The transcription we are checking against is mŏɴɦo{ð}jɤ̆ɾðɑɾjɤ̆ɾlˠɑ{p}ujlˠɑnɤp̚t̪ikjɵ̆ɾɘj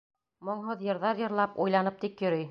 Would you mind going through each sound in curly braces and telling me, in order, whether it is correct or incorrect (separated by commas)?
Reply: correct, correct